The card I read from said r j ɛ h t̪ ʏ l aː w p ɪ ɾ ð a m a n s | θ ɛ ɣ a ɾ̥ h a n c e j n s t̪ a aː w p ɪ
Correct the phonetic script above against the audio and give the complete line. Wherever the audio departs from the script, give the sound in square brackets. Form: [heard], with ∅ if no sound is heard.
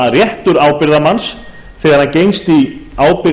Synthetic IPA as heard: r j ɛ h t̪ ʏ [ɾ] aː w p ɪ ɾ ð a m a n s | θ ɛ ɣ a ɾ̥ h a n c e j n s t̪ [i] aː w p ɪ

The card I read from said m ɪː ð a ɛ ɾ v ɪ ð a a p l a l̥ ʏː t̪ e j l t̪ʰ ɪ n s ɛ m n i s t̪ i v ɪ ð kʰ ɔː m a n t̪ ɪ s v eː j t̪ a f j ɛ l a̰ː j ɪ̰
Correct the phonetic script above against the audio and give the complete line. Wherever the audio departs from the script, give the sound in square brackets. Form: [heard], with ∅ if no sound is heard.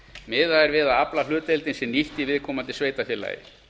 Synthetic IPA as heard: m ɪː ð a ɛ ɾ v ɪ ð a a p l a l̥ ʏː t̪ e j l [t̪] ɪ n s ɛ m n i [h] t̪ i v ɪ ð kʰ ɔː m a n t̪ ɪ s v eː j t̪ a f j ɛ l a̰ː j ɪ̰

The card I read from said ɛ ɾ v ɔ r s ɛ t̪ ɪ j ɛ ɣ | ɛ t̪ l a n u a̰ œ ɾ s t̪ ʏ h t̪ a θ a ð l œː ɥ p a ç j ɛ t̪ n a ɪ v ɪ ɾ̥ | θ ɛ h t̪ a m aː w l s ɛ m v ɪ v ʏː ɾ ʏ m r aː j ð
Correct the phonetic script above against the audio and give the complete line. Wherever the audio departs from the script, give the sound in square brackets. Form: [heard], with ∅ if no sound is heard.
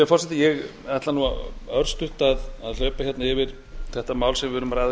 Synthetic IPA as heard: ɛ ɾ [f] ɔ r s ɛ t̪ ɪ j ɛ ɣ | ɛ t̪ l a n u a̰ œ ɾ s t̪ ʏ h t̪ a [ð] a ð l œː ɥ p a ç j ɛ t̪ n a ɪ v ɪ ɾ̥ | θ ɛ h t̪ a m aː w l s ɛ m v ɪ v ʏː ɾ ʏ m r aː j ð

